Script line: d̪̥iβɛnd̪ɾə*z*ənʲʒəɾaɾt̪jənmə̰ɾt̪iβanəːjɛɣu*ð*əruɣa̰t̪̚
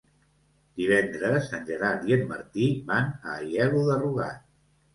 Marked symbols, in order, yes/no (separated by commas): no, yes